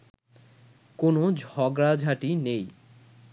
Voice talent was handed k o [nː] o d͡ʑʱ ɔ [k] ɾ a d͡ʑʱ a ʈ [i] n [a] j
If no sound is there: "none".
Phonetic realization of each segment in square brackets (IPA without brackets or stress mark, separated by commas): n, ɡ, i, e